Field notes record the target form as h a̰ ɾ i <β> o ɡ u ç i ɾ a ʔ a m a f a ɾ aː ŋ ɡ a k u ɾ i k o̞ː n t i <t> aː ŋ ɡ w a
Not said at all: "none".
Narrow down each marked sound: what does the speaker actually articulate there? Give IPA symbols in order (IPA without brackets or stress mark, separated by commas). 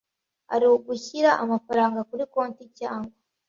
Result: w, c